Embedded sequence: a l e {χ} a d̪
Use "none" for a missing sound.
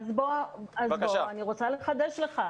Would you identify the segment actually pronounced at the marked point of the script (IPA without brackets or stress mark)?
χ